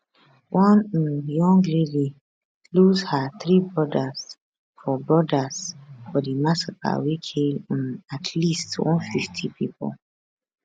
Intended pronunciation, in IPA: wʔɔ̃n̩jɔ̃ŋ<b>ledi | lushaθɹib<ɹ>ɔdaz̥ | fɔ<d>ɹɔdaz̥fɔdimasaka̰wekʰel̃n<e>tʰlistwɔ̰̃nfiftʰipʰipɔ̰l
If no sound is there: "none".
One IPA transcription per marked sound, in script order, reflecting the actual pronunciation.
ɡ, ɹ, b, a

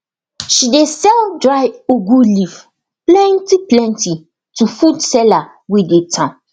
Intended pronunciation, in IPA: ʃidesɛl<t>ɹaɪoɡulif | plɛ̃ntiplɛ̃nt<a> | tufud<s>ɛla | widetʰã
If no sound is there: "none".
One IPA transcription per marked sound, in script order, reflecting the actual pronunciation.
d, i, s

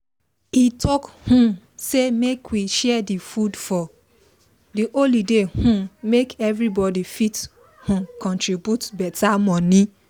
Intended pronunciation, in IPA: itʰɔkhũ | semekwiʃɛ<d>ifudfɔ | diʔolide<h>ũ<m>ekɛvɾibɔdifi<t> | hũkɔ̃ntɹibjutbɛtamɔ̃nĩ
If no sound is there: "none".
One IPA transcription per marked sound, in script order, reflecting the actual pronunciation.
d, h, m, t

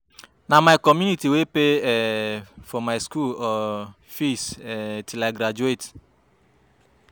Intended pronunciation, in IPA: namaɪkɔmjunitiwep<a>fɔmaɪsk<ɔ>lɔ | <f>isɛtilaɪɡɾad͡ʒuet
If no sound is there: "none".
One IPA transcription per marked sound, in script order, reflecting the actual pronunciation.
e, u, f

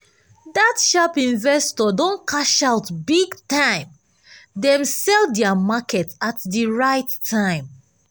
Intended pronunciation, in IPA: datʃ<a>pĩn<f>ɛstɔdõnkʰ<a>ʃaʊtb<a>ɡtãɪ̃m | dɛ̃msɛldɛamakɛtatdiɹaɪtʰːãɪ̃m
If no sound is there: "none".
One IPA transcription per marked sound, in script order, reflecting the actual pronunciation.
a, v, a, i

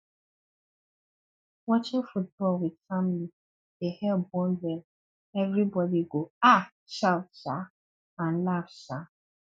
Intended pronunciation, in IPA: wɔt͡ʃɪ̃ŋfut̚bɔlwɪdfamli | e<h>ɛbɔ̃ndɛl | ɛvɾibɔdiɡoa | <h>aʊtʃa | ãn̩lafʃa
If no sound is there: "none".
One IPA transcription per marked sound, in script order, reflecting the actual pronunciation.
h, ʃ

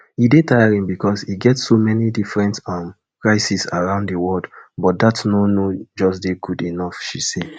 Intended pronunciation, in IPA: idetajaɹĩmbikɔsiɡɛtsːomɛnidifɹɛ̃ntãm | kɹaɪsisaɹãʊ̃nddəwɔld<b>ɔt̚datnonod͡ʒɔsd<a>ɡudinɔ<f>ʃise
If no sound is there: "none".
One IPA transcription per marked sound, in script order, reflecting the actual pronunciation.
b, e, f

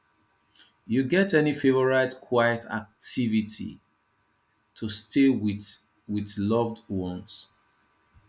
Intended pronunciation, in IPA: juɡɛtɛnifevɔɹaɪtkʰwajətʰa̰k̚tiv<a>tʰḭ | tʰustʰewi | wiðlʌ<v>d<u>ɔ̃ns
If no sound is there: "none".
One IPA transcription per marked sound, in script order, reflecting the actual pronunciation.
i, v, w

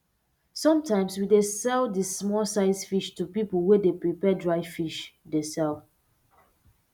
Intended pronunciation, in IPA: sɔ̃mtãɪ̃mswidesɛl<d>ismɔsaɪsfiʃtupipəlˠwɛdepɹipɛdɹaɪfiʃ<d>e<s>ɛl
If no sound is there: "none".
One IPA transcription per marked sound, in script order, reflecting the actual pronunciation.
d, d, s

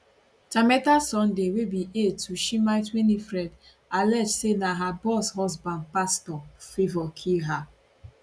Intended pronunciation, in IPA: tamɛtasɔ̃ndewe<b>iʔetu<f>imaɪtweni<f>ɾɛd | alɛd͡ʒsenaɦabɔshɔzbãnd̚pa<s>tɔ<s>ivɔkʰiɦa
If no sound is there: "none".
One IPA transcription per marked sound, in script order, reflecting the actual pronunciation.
b, ʃ, f, s, f

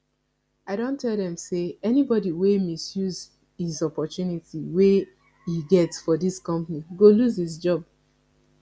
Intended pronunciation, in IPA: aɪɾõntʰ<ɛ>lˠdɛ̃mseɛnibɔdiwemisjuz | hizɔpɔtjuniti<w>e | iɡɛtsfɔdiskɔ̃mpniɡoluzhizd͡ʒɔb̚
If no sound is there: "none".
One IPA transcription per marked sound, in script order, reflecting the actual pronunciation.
ɛ, w

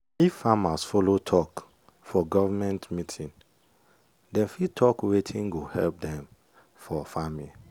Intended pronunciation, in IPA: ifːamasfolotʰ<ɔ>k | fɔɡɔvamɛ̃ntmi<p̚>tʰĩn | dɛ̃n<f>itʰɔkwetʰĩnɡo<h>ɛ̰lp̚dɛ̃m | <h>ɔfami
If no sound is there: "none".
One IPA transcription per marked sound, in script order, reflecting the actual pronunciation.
ɔ, none, f, h, f

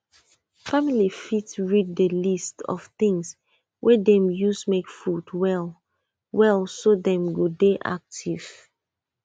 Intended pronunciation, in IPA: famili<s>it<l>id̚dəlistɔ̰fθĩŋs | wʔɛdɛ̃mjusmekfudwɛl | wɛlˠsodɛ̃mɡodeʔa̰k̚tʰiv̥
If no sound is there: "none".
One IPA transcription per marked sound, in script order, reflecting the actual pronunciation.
f, ɹ

